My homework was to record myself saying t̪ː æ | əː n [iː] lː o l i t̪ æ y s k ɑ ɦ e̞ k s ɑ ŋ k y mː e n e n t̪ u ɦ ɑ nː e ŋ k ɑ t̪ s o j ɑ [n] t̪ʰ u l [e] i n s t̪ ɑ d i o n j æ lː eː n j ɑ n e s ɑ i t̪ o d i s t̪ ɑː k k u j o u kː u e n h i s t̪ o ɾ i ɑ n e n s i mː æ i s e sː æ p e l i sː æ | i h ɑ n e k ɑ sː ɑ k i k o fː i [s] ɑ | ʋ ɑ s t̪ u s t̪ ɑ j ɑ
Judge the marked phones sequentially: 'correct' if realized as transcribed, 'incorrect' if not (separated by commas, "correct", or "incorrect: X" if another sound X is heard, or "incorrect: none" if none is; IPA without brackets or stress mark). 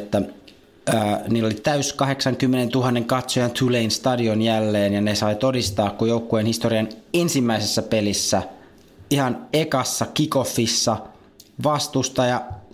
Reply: correct, correct, correct, incorrect: sː